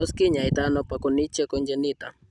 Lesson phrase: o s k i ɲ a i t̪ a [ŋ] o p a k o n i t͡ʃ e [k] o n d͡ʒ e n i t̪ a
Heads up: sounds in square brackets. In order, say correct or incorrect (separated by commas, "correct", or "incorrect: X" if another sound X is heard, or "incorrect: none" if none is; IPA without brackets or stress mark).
incorrect: n, correct